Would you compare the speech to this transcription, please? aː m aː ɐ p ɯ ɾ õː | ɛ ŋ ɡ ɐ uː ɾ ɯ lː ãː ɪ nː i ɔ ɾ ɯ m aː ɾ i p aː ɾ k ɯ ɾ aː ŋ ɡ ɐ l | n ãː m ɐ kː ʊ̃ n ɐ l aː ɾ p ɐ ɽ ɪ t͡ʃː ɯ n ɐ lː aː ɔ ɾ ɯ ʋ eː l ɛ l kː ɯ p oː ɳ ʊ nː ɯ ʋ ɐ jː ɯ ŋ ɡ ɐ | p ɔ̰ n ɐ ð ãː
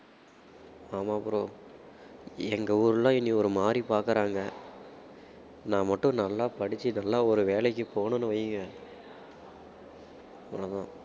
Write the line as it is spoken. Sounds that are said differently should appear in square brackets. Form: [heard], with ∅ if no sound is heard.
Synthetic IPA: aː m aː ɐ p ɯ ɾ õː | ɛ ŋ ɡ ɐ uː ɾ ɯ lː ãː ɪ nː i ɔ ɾ ɯ m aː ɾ i p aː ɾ k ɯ ɾ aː ŋ ɡ ɐ [∅] | n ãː m ɐ [ʈː] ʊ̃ n ɐ [lː] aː [∅] p ɐ ɽ ɪ t͡ʃː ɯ n ɐ lː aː ɔ ɾ ɯ ʋ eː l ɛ [∅] kː ɯ p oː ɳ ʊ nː ɯ ʋ ɐ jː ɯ ŋ ɡ ɐ | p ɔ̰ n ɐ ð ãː